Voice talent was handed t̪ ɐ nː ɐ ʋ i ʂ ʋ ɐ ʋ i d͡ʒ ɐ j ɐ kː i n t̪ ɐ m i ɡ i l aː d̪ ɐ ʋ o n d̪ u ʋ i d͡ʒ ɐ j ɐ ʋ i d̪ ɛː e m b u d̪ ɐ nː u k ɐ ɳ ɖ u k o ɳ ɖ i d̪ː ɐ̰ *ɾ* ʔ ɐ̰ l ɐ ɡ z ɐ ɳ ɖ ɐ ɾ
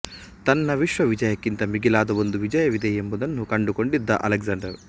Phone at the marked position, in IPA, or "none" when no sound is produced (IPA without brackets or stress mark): none